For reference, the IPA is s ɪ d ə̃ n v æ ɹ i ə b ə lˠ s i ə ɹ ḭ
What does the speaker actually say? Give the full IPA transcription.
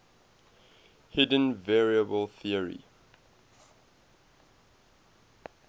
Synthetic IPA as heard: h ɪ d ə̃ n v ɛ ɹ i ə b ə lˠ θ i ə ɹ ḭ